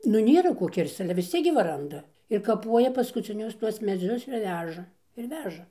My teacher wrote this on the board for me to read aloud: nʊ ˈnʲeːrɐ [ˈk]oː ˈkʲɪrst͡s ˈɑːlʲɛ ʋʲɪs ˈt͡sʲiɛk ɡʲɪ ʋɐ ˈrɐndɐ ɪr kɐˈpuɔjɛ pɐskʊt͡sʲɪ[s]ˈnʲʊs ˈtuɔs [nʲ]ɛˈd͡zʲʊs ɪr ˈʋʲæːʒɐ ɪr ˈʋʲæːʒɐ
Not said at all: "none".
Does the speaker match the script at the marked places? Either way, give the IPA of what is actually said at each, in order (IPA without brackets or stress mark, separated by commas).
k, none, mʲ